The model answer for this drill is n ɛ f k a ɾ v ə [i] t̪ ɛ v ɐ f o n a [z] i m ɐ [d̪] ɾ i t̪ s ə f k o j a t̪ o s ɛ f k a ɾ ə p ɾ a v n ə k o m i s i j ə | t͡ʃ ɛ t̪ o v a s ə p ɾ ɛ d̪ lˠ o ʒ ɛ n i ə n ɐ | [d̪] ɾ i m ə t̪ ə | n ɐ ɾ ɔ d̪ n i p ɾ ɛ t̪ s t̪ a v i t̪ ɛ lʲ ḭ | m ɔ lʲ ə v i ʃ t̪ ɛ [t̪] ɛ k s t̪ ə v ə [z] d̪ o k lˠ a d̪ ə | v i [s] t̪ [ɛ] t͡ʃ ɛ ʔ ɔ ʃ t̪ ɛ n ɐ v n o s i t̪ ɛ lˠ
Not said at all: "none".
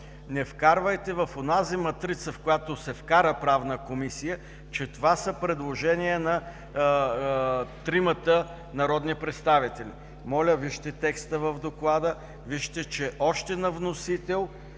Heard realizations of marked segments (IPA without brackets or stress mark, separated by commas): j, z, t̪, t̪, t̪, v, ʃ, ɛ